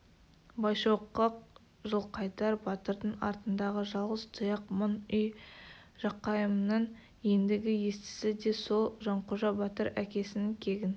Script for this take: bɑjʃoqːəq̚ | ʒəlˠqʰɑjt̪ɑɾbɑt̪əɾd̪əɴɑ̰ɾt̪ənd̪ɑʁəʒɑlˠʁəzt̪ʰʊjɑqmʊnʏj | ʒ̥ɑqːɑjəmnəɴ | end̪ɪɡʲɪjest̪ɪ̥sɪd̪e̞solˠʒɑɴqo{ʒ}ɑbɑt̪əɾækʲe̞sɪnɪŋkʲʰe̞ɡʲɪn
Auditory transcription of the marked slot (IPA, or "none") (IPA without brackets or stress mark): ʒ